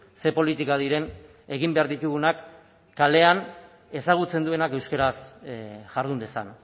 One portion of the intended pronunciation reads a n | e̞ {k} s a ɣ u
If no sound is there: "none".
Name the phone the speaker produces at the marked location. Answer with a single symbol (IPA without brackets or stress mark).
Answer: none